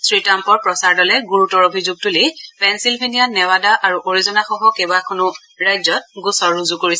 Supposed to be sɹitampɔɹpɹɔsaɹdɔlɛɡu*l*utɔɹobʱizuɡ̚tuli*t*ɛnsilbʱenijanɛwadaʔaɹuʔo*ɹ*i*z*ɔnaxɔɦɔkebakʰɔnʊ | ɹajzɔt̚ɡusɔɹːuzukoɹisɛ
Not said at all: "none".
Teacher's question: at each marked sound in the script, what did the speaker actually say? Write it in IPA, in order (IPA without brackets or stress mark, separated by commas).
ɹ, p, ɹ, z